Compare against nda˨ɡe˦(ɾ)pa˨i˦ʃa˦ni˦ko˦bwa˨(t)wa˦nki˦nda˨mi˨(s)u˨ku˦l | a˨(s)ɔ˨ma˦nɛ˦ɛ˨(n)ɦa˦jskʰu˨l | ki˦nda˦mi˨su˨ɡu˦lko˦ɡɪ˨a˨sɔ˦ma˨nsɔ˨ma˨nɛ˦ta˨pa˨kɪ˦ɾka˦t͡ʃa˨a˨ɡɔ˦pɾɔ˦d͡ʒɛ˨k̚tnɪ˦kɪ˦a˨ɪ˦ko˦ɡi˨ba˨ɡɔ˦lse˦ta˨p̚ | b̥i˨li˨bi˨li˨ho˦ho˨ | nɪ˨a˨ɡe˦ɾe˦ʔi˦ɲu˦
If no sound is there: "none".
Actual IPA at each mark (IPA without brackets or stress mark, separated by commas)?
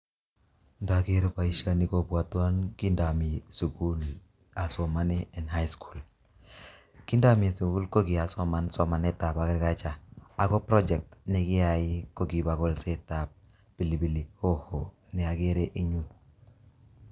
ɾ, t, s, s, n